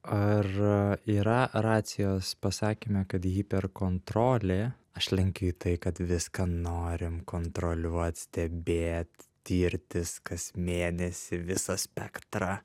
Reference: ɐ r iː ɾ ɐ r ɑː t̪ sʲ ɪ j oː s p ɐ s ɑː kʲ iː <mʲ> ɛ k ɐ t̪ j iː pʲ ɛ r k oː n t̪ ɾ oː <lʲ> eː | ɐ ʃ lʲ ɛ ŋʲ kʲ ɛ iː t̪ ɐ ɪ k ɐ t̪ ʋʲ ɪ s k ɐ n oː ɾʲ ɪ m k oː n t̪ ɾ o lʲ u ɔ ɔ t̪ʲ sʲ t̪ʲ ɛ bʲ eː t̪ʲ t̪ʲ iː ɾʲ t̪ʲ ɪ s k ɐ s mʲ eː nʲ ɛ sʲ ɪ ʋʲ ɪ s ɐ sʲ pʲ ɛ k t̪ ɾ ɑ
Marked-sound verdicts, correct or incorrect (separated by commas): correct, correct